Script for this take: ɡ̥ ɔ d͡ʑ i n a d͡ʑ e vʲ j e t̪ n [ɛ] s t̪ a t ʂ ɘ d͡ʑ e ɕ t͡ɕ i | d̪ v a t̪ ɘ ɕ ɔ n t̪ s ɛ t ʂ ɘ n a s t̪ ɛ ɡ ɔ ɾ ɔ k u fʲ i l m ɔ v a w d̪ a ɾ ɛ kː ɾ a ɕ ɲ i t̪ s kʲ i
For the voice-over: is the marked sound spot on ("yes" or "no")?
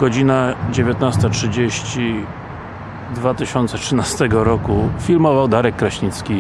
no